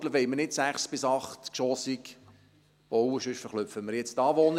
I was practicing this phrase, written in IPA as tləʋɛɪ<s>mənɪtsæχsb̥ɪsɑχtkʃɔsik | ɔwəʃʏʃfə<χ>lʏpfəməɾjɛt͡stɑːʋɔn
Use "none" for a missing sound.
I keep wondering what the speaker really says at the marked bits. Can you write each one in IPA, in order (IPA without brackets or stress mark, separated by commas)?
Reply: none, χ